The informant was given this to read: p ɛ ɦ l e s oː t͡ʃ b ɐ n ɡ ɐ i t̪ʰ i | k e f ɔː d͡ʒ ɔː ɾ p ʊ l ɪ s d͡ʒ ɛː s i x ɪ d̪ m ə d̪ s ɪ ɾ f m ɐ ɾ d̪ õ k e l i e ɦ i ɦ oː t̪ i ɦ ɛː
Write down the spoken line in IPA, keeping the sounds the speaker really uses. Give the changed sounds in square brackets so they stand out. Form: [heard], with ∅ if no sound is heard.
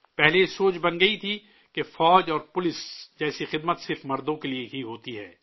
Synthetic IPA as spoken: p ɛ ɦ l e s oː t͡ʃ b ɐ n ɡ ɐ i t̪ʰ i | k e f ɔː d͡ʒ ɔː ɾ p ʊ l ɪ s d͡ʒ ɛː s i x ɪ d̪ m ə [t̪] s ɪ ɾ f m ɐ ɾ d̪ õ k e l i e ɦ i ɦ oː t̪ i ɦ ɛː